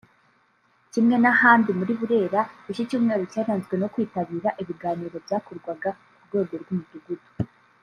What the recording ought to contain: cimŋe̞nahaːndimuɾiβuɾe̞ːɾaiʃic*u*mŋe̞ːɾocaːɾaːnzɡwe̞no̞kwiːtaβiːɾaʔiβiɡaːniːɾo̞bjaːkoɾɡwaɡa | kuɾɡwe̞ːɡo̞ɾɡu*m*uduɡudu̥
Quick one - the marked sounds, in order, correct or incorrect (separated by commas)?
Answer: incorrect, correct